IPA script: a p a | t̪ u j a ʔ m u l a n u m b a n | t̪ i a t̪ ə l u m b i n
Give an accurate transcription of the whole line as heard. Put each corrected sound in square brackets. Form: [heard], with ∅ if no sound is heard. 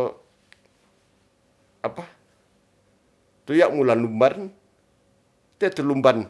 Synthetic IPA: a p a | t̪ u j a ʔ m u l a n u m b a n | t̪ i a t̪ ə l u m b [a] n

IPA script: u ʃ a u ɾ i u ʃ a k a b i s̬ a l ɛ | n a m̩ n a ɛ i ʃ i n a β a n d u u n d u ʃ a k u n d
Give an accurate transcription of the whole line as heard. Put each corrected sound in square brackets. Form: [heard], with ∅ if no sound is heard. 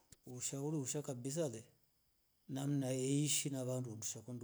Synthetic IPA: u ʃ a u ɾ i u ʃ a k a b i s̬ a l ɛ | n a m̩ n a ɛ i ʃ i n a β a n d u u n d u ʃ a k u n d

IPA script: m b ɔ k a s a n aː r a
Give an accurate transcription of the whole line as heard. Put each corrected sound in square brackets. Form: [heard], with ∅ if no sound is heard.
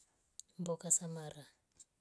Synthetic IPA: m b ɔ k a s a [m] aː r a

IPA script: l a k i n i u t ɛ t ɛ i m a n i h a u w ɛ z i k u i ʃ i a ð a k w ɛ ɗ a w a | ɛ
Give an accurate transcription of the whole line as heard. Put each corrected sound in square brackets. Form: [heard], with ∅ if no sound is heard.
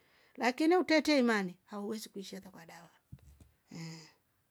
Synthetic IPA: l a k i n i u t ɛ t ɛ i m a n i h a u w ɛ z i k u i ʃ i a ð a k w [a] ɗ a w a | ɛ

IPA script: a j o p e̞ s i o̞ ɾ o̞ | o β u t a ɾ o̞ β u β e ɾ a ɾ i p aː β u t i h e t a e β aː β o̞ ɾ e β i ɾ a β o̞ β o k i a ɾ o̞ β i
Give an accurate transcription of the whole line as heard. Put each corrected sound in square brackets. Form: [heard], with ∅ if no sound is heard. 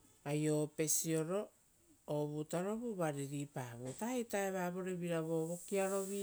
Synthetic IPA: a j o p e̞ s i o̞ ɾ o̞ | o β u t a ɾ o̞ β u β [a] ɾ [i] ɾ i p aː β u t [a] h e t a e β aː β o̞ ɾ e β i ɾ a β o̞ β o k i a ɾ o̞ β i

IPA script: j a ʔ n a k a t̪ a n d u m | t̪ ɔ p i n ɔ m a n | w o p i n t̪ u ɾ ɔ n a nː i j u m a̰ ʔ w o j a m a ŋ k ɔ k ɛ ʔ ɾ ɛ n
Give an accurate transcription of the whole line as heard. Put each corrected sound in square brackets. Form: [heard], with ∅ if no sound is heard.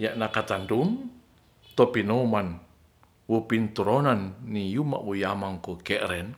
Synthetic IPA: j a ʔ n a k a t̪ a n d u m | t̪ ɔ p i n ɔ m a n | w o p i n t̪ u ɾ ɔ n a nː i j u m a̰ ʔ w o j a m a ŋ k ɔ k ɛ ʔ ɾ ɛ n

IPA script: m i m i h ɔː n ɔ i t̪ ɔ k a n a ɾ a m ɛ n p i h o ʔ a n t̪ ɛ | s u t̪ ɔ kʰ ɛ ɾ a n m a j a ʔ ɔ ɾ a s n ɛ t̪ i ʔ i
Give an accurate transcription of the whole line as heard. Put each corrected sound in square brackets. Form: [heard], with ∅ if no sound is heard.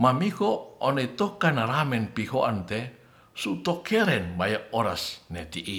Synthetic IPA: m [a] m i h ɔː n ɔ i t̪ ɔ k a n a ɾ a m ɛ n p i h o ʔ a n t̪ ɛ | s u t̪ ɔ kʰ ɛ ɾ [ɛ] n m a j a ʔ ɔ ɾ a s n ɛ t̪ i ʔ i

